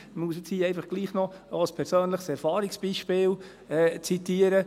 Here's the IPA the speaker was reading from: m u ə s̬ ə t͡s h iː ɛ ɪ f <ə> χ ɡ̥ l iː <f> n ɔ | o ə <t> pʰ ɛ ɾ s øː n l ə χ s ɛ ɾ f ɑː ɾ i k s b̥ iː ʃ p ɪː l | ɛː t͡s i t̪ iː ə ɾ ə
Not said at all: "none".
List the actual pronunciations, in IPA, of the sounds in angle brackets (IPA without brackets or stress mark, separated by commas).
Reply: ɑ, χ, s